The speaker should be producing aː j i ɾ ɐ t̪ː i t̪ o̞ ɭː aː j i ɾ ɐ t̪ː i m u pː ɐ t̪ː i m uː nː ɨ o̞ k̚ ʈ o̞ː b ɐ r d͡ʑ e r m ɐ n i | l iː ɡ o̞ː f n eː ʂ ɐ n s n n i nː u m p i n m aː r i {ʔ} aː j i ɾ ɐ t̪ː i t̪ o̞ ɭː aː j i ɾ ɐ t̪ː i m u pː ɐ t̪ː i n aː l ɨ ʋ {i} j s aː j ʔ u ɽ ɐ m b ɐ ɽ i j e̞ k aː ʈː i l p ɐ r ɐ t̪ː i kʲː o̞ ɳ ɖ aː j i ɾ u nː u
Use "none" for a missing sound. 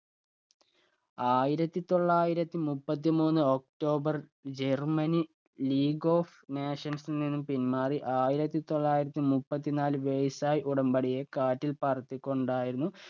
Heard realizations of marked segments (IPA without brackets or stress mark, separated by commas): ʔ, e